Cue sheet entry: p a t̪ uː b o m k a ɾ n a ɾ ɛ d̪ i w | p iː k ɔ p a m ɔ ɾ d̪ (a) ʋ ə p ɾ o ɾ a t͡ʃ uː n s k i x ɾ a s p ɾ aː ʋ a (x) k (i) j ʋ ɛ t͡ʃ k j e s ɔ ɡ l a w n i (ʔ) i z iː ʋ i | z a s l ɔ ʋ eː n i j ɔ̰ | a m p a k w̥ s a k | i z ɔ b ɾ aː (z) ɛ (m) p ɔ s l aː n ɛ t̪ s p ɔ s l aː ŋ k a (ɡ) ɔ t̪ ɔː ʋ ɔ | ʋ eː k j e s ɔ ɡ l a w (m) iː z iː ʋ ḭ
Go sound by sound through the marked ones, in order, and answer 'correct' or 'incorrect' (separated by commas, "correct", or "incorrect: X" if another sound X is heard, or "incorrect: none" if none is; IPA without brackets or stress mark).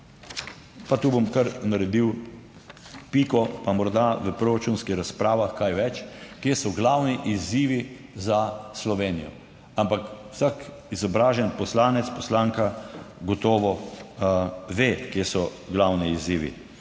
correct, correct, incorrect: a, correct, incorrect: ʒ, incorrect: n, correct, incorrect: n